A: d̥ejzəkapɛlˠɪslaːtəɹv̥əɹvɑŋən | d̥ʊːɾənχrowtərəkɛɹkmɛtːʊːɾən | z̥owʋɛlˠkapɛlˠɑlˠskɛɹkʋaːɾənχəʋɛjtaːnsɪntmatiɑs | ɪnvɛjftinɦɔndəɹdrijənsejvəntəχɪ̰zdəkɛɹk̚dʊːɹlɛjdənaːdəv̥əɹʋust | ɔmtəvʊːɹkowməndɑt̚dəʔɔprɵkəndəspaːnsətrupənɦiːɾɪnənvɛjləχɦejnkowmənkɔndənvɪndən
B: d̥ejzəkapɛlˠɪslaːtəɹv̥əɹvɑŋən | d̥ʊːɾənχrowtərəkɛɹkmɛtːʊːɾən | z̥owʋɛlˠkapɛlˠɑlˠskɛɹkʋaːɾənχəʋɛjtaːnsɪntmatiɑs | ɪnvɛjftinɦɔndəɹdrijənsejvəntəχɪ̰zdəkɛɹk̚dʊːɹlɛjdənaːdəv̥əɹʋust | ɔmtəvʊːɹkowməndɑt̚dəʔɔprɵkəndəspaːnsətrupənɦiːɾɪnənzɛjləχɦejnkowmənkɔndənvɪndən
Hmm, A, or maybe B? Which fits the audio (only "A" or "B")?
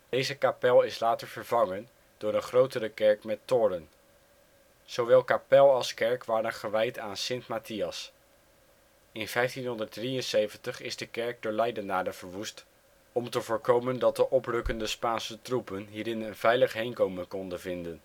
A